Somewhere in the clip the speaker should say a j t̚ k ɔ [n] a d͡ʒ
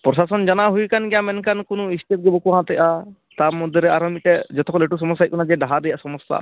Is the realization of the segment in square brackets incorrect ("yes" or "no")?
no